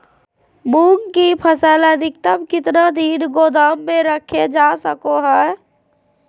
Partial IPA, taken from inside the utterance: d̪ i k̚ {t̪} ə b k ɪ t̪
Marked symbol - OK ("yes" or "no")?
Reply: yes